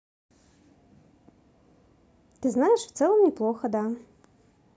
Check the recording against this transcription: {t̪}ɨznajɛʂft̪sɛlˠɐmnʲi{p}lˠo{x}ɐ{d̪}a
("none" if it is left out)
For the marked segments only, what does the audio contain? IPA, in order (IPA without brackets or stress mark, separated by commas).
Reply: t̪, p, x, d̪